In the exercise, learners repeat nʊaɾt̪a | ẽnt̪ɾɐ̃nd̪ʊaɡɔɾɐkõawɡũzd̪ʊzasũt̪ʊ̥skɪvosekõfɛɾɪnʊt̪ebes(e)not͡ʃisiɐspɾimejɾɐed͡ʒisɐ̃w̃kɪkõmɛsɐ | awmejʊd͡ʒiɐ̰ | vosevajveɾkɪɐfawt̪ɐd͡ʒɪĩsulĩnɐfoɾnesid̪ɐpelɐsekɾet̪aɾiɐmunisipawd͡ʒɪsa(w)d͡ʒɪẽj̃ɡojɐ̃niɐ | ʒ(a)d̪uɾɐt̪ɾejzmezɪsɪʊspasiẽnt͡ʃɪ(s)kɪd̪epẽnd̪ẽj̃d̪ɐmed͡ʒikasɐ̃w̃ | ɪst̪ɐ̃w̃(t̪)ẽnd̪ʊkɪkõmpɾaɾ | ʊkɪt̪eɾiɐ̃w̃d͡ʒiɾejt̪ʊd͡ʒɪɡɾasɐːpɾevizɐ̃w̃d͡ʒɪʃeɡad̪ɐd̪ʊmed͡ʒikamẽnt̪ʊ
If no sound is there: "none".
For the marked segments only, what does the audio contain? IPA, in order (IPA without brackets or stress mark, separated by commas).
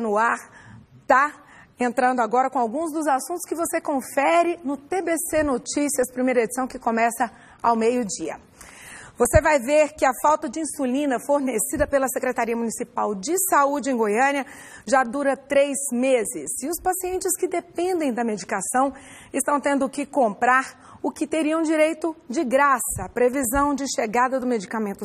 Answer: e, u, a, s, t̪